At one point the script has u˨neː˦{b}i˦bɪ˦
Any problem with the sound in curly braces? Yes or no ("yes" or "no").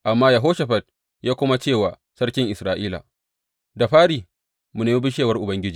yes